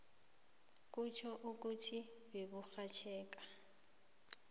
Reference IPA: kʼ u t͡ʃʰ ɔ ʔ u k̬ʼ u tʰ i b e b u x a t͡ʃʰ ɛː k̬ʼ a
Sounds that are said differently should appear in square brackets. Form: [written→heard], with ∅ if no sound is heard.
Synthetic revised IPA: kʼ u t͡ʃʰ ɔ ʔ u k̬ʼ u tʰ i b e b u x a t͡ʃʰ ɛː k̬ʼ a